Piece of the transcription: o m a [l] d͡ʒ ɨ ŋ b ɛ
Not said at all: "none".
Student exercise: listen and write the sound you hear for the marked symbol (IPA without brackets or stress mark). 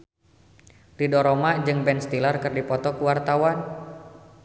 none